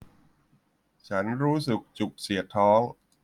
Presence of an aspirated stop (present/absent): present